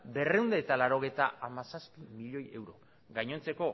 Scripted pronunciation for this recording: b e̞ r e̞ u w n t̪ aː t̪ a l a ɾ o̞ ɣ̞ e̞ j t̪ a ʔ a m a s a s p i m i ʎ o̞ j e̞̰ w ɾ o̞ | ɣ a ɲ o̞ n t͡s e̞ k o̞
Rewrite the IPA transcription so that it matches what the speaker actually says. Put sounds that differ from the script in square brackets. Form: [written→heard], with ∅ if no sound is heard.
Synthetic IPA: b e̞ r e̞ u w n [t̪→d̪] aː t̪ a l a ɾ o̞ ɣ̞ e̞ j t̪ a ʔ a m a s a s p i m i ʎ o̞ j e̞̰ w ɾ o̞ | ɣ a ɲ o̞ n t͡s e̞ k o̞